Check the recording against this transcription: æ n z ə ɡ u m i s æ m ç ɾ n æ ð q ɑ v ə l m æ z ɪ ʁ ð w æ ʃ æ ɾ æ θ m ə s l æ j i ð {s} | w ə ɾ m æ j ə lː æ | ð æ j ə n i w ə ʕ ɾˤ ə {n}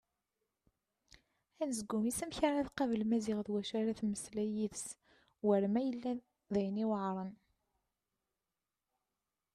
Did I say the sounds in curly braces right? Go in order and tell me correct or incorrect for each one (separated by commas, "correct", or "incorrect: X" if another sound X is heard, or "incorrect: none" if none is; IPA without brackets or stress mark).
correct, correct